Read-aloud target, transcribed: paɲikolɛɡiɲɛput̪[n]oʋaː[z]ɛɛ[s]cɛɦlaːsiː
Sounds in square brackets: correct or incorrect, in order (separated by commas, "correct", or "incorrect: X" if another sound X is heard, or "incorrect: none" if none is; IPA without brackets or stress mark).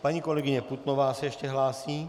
correct, incorrect: s, incorrect: ʃ